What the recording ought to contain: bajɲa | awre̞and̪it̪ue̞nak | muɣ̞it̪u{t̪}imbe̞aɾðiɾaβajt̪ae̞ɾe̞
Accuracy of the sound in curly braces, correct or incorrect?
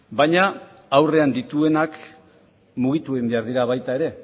incorrect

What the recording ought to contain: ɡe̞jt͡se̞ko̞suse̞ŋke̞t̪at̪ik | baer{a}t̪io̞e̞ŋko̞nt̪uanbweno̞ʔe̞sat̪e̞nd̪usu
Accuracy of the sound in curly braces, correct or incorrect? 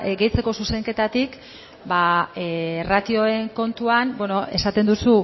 correct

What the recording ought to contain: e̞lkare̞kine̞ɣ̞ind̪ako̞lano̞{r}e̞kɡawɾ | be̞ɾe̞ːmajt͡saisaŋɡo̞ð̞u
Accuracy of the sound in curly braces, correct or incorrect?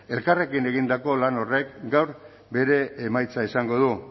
correct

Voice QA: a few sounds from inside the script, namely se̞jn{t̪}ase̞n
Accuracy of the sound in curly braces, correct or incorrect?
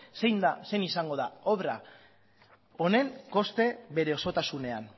incorrect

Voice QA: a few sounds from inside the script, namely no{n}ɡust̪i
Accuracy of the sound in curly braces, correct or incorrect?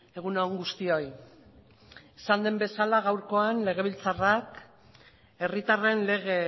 incorrect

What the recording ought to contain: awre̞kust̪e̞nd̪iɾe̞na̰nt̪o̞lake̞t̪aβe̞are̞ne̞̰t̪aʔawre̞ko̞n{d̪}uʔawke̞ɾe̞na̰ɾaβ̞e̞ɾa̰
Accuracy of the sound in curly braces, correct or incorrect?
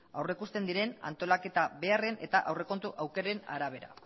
incorrect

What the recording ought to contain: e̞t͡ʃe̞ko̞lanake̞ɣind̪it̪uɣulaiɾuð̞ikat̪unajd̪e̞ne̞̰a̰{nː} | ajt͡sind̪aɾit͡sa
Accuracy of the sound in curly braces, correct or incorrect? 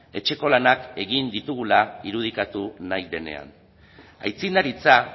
incorrect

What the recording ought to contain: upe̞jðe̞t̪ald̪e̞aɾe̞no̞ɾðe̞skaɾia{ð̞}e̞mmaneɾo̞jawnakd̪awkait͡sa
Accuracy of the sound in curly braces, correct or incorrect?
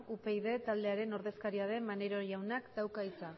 correct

